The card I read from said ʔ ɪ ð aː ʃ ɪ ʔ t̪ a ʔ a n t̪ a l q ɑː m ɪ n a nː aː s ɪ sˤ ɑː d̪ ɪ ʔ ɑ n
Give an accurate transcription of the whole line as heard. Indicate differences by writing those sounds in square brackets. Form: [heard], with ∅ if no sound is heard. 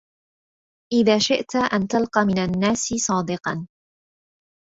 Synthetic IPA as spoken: ʔ ɪ ð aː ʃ ɪ ʔ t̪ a ʔ a n t̪ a l q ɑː m ɪ n a nː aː s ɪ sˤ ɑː d̪ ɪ [q] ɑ n